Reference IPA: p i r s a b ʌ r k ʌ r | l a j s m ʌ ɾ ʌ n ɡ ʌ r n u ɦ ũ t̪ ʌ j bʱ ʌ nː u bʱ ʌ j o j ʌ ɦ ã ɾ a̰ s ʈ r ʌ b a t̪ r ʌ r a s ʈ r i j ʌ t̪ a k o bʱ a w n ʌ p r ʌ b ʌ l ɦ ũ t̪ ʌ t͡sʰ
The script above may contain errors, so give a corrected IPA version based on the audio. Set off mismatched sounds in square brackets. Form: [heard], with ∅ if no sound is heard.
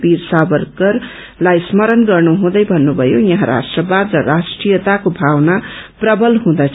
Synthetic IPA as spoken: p i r s a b ʌ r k ʌ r | l a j s m ʌ ɾ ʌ n ɡ ʌ r n u ɦ ũ [d̪] ʌ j bʱ ʌ nː u bʱ ʌ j o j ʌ ɦ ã ɾ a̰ s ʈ r ʌ b a [d̪] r ʌ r a s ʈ r i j ʌ t̪ a k o bʱ a w n [a] p r ʌ b ʌ l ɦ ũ [d̪] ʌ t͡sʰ